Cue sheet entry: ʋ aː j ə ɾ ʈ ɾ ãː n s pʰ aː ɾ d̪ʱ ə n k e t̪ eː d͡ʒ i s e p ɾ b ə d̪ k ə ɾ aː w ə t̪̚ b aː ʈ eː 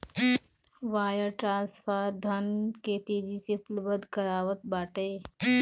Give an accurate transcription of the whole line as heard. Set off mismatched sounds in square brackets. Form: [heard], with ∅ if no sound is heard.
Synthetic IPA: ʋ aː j ə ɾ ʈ ɾ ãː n s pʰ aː ɾ d̪ʱ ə n k e t̪ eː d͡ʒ i s e p [l] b ə d̪ k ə ɾ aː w ə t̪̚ b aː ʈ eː